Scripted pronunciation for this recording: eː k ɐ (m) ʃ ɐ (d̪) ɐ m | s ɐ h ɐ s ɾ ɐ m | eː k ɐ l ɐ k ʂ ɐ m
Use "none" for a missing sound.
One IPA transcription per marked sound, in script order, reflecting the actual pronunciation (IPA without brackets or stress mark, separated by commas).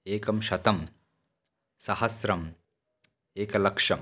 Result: m, t̪